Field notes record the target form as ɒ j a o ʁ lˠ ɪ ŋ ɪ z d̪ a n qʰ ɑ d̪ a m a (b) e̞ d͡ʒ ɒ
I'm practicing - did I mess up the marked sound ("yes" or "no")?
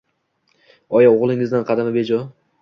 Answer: no